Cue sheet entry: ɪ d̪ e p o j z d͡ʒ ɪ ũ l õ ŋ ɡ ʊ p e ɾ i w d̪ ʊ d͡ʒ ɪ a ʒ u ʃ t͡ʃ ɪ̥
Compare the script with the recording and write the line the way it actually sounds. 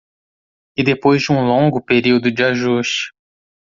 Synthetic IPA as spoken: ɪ d̪ e p o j z d͡ʒ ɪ ũ l õ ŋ ɡ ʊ p e ɾ i w d̪ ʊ d͡ʒ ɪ a ʒ u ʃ t͡ʃ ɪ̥